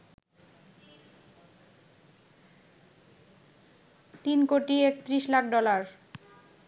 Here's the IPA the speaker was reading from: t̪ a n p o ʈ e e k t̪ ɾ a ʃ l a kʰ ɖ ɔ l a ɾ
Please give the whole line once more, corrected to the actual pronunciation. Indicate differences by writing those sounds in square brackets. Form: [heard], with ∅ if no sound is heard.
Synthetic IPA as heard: t̪ [i] n [k] o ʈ [i] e k t̪ ɾ [i] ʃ l a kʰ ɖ ɔ l a ɾ